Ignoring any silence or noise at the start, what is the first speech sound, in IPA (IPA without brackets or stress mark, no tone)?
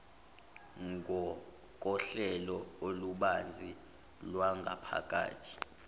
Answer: ŋ